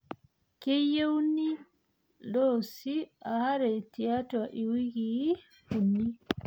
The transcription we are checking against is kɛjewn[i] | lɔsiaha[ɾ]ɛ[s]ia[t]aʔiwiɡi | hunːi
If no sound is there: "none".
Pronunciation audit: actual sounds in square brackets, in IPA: i, ɾ, t, t

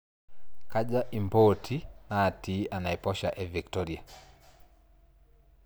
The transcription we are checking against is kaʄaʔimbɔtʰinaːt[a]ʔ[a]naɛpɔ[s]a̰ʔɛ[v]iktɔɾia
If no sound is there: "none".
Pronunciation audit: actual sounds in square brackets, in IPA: i, a, ʃ, v

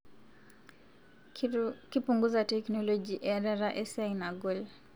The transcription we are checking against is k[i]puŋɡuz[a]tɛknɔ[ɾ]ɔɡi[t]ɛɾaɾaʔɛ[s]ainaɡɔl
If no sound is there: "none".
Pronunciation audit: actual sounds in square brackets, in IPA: i, a, l, ʔ, s

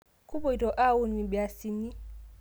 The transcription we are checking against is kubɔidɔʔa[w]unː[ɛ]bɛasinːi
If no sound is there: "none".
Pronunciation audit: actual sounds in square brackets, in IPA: w, i

